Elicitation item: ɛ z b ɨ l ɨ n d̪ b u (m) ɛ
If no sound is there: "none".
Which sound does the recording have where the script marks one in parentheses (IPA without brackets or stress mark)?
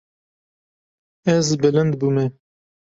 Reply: m